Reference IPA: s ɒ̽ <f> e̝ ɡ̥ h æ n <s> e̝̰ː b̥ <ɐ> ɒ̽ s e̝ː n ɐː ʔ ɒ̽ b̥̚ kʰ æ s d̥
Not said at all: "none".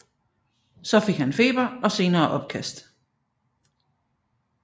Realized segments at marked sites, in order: f, f, ɐ

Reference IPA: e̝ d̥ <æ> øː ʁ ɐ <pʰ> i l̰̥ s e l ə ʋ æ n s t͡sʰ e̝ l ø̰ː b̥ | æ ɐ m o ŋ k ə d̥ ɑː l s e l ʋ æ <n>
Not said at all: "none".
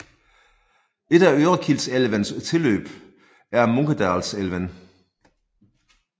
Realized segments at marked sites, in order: æ, kʰ, n

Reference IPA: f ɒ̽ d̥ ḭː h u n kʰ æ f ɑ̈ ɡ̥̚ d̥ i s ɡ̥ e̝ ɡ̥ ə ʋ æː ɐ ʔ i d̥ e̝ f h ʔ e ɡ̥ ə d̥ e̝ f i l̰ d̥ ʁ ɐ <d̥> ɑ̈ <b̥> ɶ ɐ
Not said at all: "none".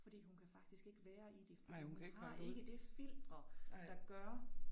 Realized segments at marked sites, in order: d̥, ɡ̥

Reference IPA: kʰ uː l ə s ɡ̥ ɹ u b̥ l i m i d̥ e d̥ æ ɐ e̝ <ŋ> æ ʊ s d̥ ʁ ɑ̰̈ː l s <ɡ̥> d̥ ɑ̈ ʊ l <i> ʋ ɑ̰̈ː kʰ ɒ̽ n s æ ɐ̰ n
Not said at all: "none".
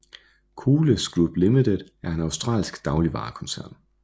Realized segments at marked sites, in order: n, ɡ̥, i

